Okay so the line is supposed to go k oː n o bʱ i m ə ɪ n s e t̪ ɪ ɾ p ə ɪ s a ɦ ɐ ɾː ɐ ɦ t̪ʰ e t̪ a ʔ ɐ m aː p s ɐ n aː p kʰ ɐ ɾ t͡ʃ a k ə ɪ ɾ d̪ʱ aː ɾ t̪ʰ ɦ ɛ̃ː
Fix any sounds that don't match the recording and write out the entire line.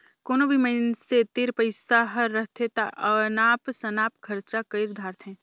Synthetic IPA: k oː n o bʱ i m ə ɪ n s e t̪ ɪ ɾ p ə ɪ s a ɦ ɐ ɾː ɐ ɦ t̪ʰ e t̪ a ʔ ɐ n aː p s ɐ n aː p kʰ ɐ ɾ t͡ʃ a k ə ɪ ɾ d̪ʱ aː ɾ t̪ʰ ɦ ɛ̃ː